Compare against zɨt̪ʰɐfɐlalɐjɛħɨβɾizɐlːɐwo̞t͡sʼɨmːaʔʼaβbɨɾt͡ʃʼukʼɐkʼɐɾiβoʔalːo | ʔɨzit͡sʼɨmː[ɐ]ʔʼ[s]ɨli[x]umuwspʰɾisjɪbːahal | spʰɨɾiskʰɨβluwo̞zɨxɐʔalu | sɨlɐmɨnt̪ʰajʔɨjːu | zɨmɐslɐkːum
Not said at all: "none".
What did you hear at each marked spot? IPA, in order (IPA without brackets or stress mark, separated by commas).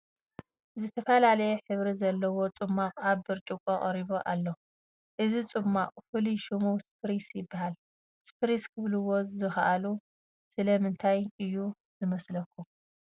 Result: a, f, ʃ